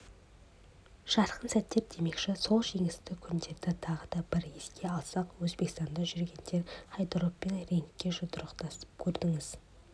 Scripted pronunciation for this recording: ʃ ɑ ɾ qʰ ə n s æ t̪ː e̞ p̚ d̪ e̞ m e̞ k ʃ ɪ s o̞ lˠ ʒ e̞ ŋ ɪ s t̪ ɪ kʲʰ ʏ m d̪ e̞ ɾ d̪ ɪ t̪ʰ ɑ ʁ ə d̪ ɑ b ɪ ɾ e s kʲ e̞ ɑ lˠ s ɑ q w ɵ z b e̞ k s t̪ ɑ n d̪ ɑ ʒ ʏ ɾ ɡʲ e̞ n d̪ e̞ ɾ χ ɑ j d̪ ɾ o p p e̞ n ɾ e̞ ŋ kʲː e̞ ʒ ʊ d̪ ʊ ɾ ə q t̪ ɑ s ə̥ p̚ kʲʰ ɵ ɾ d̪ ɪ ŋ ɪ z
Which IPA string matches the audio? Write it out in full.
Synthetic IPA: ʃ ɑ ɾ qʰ ə n s æ t̪ː e̞ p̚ d̪ e̞ m e̞ k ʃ ɪ s o̞ lˠ ʒ e̞ ŋ ɪ s t̪ ɪ kʲʰ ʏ n d̪ e̞ ɾ d̪ ɪ t̪ʰ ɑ ʁ ə d̪ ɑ b ɪ ɾ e s kʲ e̞ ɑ lˠ s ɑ q w ɵ z b e̞ k s t̪ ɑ n d̪ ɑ ʒ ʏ ɾ ɡʲ e̞ n d̪ e̞ ɾ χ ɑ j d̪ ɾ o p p e̞ n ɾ e̞ ŋ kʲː e̞ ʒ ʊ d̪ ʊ ɾ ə q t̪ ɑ s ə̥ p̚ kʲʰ ɵ ɾ d̪ ɪ ŋ ɪ z